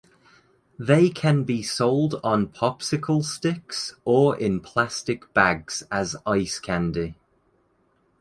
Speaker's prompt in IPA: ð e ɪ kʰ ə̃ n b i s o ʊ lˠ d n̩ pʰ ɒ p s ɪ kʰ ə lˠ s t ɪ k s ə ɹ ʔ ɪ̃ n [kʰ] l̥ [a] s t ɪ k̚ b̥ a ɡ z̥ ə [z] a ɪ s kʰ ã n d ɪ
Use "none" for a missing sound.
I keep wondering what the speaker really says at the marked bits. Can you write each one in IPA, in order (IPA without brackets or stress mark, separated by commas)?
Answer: pʰ, a, z